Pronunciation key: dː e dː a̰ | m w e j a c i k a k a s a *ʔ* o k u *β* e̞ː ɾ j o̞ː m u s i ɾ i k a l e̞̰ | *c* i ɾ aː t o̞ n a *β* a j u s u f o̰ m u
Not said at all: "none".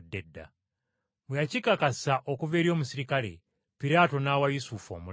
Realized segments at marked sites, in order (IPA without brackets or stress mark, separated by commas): ʔ, v, p, w